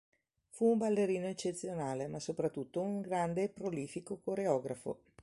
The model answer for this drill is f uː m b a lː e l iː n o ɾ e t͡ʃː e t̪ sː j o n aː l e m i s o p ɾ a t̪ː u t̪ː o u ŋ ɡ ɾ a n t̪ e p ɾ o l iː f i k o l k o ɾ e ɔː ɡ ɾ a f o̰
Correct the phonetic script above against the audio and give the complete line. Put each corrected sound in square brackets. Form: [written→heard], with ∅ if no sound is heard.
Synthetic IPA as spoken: f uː m b a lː e [l→ɾ] iː n o [ɾ→∅] e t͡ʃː e t̪ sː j o n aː l e m [i→a] s o p ɾ a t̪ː u t̪ː o u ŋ ɡ ɾ a n [t̪→d̪] e p ɾ o l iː f i k o [l→∅] k o ɾ e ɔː ɡ ɾ a f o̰